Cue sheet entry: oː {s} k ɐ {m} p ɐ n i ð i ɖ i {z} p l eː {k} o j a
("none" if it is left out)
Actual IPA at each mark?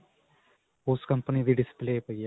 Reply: s, m, s, p

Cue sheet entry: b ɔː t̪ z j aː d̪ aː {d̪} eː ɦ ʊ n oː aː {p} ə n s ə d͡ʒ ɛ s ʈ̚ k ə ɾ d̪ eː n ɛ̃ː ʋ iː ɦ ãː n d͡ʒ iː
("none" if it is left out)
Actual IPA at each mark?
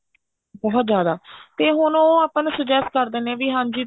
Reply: t̪, p

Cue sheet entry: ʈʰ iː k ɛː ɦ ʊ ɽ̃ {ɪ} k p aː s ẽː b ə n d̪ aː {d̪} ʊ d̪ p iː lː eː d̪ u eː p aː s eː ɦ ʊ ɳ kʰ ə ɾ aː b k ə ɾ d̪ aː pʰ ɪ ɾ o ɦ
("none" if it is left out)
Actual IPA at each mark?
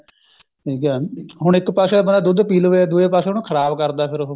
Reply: ɪ, d̪

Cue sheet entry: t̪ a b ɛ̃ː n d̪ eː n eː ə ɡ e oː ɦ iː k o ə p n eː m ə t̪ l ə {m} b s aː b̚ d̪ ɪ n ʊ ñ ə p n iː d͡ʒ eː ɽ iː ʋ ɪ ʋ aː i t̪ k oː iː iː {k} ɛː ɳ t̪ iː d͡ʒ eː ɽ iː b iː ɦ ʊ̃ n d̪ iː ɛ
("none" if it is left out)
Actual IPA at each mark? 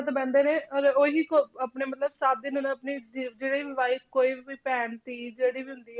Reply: none, p

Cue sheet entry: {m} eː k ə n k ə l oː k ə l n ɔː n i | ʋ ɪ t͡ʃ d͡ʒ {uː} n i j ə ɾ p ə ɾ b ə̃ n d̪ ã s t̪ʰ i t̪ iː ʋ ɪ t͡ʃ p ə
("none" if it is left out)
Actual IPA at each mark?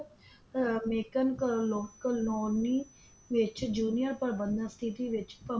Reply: m, uː

